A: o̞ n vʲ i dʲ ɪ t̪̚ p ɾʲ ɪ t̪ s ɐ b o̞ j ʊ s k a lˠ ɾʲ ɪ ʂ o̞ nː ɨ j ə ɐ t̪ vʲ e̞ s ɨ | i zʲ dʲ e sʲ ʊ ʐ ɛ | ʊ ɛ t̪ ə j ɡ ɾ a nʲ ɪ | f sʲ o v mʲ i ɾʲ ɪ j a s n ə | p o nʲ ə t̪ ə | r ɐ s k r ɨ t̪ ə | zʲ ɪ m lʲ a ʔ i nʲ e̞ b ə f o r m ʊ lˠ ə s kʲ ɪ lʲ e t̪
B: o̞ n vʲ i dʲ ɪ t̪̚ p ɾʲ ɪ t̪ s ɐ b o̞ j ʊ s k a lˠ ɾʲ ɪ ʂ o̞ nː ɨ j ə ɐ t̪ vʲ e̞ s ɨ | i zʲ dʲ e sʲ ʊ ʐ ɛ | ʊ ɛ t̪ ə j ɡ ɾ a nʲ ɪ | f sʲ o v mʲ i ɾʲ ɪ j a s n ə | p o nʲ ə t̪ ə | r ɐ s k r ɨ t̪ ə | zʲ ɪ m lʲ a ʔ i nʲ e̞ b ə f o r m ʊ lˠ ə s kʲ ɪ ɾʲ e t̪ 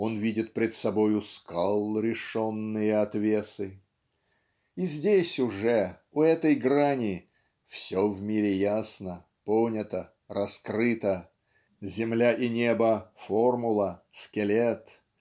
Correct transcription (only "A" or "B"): A